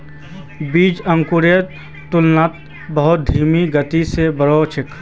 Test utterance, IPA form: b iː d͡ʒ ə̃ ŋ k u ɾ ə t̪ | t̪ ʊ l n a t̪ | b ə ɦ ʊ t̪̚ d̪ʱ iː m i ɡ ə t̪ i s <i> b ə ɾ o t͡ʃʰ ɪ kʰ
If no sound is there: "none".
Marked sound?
e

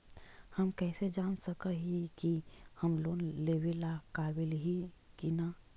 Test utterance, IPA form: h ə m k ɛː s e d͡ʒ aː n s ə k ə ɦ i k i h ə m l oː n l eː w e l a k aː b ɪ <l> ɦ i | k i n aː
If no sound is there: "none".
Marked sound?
l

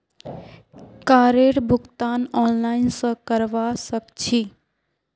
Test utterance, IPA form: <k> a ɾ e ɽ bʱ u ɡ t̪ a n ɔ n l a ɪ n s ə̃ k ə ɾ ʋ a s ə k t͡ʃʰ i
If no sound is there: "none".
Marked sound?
k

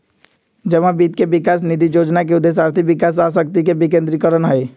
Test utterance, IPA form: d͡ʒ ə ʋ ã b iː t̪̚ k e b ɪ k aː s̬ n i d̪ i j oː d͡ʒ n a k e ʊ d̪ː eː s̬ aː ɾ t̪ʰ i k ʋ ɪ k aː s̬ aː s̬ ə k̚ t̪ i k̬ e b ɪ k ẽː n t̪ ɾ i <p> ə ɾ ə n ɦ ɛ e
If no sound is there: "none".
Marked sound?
k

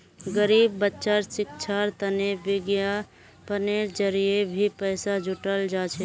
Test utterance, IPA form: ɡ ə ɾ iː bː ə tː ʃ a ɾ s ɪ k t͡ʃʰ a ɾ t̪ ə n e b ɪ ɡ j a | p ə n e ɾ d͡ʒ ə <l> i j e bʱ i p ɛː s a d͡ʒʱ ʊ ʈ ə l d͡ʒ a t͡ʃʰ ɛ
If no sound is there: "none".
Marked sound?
ɾ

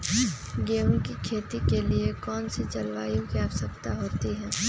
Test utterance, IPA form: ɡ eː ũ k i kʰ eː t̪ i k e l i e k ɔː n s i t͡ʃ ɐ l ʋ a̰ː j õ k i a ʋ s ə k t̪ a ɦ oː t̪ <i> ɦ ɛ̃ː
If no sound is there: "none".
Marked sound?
i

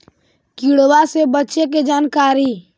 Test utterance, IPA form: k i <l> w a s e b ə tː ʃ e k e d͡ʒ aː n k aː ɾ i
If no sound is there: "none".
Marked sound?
ɽ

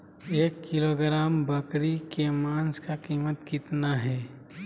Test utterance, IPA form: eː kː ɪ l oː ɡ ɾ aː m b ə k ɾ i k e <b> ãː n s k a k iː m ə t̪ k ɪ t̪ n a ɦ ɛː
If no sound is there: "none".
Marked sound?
m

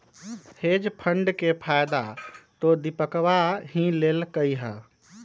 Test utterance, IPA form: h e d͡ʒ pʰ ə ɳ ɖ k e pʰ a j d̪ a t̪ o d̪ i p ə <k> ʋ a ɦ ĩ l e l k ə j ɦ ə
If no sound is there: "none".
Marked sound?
k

